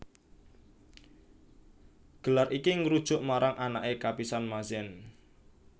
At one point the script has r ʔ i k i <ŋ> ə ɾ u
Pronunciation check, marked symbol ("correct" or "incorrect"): correct